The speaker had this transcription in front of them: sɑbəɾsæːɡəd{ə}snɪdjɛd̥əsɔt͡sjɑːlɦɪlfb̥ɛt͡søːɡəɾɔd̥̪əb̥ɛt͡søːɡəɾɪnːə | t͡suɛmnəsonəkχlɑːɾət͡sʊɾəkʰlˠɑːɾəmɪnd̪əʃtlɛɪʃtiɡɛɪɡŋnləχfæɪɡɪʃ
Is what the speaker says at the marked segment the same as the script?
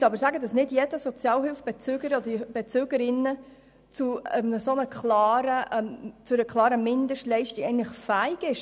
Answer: no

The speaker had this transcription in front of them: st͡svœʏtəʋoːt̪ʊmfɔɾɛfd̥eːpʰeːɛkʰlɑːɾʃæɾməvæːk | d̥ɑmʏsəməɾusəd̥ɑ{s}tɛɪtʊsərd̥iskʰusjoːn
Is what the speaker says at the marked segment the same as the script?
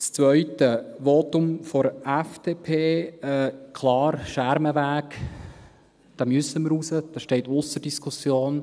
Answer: no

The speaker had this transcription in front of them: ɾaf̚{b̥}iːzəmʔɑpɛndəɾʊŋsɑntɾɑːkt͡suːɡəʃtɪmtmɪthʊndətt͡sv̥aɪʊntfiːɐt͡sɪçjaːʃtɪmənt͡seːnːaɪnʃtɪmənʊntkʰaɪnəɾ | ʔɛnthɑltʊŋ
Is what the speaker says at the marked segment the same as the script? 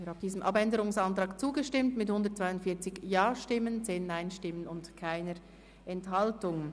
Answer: no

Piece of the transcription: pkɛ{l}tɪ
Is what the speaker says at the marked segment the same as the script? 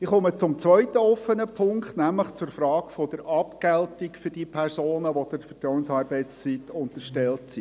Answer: yes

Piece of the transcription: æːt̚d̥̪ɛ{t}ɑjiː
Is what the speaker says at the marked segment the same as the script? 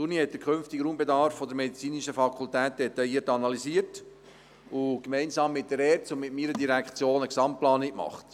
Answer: yes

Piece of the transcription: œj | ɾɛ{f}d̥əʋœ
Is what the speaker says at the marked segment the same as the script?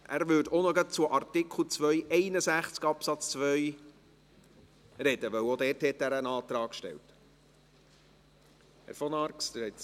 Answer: no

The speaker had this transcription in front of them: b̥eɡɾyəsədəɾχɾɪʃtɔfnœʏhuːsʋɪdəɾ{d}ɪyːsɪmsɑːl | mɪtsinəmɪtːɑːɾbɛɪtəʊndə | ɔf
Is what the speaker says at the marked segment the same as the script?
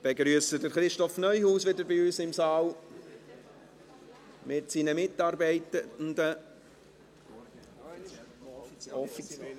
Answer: no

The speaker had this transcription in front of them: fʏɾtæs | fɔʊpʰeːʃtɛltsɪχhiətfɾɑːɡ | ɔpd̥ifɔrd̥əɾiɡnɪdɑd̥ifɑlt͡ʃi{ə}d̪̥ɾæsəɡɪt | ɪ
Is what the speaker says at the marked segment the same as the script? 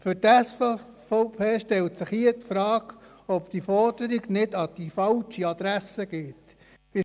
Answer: no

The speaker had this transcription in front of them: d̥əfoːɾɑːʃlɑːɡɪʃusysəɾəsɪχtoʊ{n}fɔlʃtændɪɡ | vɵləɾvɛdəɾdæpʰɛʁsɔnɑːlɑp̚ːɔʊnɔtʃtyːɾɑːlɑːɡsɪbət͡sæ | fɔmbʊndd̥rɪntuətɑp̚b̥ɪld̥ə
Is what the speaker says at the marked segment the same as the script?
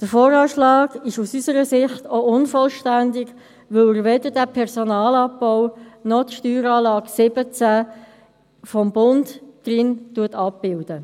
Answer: yes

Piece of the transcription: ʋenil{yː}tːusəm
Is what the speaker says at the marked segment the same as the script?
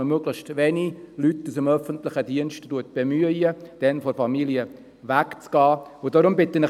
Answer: no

